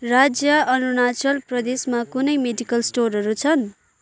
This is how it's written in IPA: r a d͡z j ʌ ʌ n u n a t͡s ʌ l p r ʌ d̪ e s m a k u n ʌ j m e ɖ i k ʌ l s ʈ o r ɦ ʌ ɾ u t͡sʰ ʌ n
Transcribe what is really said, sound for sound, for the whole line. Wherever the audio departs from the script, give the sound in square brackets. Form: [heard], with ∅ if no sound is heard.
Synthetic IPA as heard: r a d͡z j ʌ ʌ n u n a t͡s ʌ l p r ʌ d̪ e s m a k u n ʌ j m e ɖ i k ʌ l s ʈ o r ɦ ʌ ɾ u t͡sʰ ʌ n